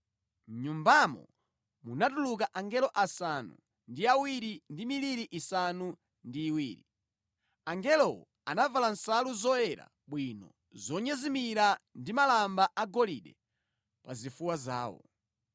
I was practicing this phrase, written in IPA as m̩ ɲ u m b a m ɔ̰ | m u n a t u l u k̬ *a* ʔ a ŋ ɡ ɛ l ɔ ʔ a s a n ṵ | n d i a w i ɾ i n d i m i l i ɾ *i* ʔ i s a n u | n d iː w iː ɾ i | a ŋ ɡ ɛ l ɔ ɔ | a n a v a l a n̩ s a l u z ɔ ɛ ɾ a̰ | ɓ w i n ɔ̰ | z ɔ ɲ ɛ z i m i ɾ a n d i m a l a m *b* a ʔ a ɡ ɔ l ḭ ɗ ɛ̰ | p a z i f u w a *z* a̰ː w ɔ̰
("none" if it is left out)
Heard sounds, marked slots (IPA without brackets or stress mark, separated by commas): a, i, b, z